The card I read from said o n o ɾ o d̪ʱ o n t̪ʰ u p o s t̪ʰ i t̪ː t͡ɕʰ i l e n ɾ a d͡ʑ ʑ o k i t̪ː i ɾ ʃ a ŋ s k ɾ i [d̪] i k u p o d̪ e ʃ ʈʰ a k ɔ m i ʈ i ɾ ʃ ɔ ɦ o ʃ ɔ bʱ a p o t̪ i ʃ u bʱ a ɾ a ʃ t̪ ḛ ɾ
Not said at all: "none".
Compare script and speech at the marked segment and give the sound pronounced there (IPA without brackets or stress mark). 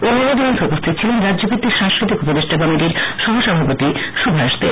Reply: t̪